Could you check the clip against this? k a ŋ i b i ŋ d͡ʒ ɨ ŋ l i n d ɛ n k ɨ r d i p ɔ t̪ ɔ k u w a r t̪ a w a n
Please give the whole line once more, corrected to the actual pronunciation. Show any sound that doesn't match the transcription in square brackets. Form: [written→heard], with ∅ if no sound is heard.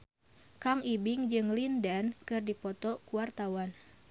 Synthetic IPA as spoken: k a ŋ i b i ŋ d͡ʒ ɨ ŋ l i n d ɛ n k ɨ r d i p ɔ t̪ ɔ k u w a r t̪ a w a n